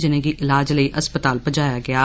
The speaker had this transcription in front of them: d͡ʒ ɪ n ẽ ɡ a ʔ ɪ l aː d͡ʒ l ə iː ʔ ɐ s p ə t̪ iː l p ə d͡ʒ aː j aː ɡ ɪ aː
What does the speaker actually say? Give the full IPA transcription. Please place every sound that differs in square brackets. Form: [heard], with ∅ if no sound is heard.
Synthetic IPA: d͡ʒ ɪ n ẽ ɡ [i] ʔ ɪ l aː d͡ʒ l ə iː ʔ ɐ s p ə t̪ [aː] l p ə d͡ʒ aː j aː ɡ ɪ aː